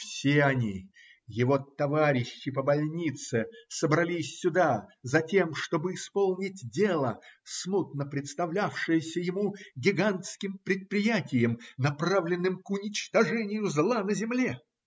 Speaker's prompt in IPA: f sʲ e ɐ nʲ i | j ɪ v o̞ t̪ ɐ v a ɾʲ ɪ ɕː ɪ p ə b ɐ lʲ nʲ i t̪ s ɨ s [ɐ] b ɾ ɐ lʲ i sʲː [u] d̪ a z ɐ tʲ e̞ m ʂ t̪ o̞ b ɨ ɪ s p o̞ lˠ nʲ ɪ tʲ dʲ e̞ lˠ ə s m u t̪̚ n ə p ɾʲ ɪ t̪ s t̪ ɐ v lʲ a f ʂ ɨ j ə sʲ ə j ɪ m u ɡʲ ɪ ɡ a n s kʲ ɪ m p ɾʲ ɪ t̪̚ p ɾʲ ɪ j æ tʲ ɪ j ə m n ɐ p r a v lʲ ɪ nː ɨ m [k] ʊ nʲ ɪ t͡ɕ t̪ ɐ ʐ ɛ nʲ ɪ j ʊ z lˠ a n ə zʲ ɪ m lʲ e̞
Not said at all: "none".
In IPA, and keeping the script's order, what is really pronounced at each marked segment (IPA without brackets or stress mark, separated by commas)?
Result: ə, ʊ, k